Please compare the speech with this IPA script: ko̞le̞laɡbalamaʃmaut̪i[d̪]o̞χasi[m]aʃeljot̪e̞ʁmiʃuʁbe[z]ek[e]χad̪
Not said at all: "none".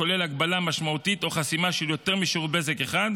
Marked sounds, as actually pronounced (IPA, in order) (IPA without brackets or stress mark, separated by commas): t̪, m, z, e